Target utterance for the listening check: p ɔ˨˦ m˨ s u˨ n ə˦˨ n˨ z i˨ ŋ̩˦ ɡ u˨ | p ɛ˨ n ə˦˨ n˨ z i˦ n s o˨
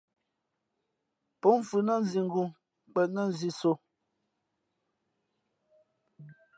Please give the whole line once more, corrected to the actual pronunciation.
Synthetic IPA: p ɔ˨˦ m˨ f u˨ n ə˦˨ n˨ z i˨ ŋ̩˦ ɡ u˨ | k͡p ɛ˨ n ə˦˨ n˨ z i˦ s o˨